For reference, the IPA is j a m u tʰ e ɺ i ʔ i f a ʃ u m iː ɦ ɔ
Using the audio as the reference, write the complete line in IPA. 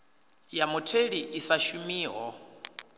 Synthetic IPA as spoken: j a m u tʰ e ɺ i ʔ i s a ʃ u m iː ɦ ɔ